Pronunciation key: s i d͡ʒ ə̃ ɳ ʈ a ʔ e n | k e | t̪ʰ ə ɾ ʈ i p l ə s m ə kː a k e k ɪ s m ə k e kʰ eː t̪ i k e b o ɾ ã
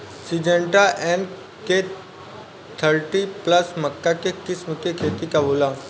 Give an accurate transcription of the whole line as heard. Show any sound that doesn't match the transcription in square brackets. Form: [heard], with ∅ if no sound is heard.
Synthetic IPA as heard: s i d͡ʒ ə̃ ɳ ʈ a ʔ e n | k e | t̪ʰ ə ɾ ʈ i p l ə s m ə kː a k e k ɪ s m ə k e kʰ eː t̪ i k [a] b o [l] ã